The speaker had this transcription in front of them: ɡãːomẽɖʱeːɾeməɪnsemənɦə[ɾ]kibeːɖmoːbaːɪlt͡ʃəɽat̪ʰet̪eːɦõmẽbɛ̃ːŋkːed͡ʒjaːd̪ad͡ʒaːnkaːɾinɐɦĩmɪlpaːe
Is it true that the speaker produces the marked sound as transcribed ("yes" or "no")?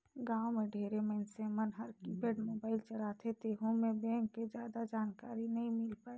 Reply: yes